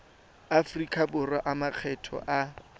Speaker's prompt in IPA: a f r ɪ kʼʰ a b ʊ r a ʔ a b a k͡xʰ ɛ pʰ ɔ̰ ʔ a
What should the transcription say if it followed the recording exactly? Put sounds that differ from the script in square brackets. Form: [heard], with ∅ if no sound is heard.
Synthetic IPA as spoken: a f r [i] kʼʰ a b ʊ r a ʔ a [m] a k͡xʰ ɛ [tʰ] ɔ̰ ʔ a